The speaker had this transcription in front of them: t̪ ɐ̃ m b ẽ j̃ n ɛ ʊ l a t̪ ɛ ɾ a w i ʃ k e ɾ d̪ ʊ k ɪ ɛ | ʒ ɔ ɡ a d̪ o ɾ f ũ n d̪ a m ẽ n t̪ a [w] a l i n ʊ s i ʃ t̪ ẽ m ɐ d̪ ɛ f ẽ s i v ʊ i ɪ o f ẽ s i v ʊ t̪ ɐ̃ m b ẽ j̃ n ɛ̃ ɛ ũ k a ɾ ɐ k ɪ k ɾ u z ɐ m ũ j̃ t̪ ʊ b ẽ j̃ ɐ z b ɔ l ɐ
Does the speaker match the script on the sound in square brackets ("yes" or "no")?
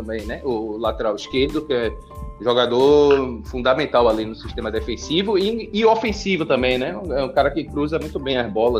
yes